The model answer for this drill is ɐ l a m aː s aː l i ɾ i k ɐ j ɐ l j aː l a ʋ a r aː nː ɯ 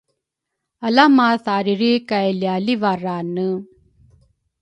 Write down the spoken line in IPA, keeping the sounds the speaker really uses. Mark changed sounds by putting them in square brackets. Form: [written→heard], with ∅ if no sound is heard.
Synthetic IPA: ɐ l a m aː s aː [l→ɾ] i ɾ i k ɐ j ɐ l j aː l [a→i] ʋ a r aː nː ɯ